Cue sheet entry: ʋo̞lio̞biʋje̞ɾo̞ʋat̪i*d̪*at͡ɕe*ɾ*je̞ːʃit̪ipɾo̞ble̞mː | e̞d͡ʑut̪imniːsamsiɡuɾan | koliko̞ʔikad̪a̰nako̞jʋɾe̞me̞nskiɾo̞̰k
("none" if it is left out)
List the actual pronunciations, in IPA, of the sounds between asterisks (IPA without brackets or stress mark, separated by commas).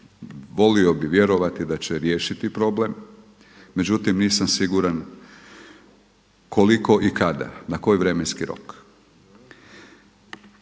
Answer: d̪, ɾ